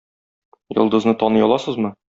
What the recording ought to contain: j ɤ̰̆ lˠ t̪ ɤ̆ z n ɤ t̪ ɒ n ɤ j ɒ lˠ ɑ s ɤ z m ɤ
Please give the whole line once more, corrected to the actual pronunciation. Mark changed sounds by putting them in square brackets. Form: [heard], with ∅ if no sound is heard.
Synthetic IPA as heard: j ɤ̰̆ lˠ [d̪] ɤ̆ z n ɤ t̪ ɒ n ɤ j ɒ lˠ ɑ s ɤ z m ɤ